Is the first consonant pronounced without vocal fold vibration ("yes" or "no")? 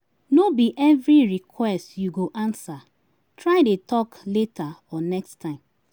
no